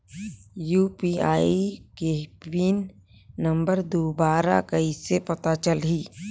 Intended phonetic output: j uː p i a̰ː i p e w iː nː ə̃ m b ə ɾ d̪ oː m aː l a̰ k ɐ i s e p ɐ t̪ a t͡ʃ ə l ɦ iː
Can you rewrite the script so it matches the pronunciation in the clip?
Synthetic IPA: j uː p i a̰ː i k e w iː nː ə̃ m b ə ɾ d̪ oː b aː ɾ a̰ k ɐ i s e p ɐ t̪ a t͡ʃ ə l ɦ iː